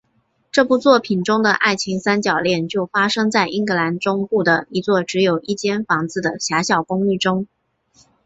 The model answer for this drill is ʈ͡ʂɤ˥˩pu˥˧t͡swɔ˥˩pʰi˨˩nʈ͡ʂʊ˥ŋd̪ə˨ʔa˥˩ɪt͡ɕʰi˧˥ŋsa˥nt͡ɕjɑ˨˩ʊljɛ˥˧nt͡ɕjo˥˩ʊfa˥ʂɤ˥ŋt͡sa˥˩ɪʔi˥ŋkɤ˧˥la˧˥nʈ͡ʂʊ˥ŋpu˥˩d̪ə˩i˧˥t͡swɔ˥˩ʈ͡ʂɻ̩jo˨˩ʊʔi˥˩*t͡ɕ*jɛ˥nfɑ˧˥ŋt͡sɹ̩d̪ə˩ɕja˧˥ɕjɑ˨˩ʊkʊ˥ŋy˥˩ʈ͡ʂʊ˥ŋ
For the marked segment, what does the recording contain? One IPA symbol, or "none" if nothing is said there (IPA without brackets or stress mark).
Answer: t͡ɕ